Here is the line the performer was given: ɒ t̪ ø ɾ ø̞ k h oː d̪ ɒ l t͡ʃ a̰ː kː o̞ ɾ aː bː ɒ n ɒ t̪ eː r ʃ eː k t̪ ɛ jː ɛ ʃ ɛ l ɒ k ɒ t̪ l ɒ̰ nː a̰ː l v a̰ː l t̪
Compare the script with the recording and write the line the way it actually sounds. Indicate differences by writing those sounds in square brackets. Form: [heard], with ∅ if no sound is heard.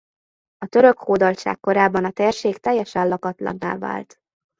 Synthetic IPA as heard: ɒ t̪ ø ɾ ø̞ k h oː d̪ ɒ l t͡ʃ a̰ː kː o̞ ɾ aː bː ɒ n ɒ t̪ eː r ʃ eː k t̪ ɛ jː ɛ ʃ ɛ l ɒ k ɒ t̪ l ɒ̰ nː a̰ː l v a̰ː l t̪